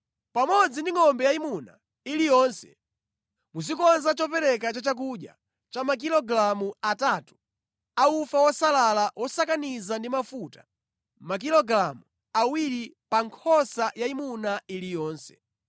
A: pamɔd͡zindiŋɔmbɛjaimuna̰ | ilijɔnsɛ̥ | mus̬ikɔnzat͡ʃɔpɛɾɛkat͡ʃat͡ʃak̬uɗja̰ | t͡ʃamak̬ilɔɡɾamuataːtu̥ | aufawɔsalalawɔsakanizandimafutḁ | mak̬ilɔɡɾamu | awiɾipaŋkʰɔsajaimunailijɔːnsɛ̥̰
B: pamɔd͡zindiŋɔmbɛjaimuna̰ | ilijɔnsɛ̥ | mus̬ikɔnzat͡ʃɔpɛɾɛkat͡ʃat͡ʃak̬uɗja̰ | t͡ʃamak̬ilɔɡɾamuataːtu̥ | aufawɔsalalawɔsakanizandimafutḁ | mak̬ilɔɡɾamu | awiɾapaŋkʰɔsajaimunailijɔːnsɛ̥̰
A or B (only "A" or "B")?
A